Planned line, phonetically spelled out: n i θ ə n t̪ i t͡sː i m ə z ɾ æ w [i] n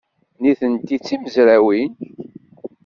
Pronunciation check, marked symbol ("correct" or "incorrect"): correct